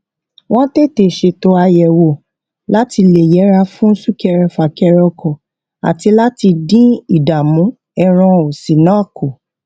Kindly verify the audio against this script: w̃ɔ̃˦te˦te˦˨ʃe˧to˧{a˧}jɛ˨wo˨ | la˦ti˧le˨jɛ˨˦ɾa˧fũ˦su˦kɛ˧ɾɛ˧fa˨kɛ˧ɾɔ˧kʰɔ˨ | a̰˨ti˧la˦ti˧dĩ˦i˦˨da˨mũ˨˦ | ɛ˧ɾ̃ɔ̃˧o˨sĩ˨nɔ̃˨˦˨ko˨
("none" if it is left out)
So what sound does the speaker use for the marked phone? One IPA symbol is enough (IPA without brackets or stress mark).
a˧